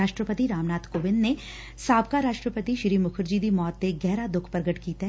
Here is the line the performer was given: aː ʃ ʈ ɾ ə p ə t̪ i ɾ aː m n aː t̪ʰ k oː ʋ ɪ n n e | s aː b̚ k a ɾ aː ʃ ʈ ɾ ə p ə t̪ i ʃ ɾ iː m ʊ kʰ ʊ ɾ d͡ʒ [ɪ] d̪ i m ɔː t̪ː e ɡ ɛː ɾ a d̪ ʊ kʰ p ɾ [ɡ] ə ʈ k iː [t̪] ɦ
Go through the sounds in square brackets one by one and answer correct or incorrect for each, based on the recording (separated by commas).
incorrect, correct, correct